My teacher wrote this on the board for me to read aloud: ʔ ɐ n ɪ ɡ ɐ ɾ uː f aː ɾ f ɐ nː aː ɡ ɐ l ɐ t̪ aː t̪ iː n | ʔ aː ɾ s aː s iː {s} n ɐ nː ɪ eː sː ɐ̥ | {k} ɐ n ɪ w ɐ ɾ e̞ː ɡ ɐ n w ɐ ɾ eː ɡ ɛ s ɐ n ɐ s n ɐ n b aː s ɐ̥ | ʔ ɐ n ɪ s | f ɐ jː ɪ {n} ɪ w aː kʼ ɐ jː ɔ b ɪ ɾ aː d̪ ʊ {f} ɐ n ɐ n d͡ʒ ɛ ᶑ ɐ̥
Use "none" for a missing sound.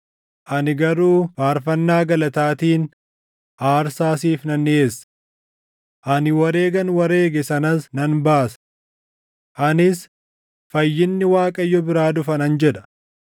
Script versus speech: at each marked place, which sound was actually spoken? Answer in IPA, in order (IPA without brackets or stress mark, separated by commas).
f, ʔ, nː, f